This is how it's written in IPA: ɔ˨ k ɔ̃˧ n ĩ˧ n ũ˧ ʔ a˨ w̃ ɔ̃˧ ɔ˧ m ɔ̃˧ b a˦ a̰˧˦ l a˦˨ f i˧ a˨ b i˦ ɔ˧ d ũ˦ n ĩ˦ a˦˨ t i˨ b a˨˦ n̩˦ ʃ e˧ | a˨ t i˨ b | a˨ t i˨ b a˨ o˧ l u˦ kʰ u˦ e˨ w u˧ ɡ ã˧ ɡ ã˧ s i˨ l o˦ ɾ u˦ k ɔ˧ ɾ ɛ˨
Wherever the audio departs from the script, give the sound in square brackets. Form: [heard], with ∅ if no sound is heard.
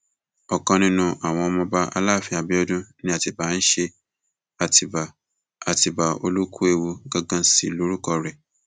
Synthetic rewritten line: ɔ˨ k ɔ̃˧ n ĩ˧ n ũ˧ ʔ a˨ w̃ ɔ̃˧ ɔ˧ m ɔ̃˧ b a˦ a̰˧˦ l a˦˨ f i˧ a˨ b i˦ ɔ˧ d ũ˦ n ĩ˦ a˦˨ t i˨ b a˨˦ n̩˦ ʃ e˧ | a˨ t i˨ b | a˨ t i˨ b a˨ o˧ l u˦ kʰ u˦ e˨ w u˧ ɡ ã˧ ɡ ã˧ s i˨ l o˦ ɾ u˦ k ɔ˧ ɾ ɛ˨